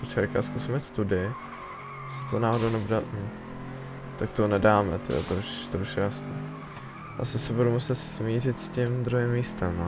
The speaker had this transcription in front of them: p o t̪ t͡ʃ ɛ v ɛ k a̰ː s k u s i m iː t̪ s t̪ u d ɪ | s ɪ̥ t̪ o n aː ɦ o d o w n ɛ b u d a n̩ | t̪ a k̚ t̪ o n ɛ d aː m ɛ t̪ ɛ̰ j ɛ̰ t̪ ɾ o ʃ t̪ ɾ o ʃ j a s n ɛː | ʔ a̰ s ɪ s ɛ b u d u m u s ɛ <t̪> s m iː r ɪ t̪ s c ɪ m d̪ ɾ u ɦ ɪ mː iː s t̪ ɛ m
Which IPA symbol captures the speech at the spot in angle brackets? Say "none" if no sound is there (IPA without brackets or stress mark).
t̪